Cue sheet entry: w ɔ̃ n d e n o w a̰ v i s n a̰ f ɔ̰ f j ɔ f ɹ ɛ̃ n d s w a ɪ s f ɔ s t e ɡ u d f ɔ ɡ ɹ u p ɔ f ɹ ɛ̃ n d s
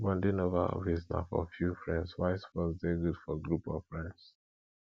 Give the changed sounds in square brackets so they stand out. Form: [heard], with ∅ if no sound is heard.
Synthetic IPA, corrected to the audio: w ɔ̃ n d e n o [v] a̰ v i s n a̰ f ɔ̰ f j [u] f ɹ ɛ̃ n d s w a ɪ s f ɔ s [d] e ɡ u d f ɔ ɡ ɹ u p ɔ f ɹ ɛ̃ n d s